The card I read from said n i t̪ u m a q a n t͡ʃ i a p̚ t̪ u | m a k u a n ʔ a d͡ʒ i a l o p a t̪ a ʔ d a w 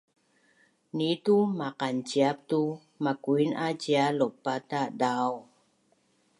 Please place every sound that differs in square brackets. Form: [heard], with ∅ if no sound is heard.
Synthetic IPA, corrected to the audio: n i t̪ u m a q a n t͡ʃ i a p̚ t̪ u | m a k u [i] n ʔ a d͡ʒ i a l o p a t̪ a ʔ d a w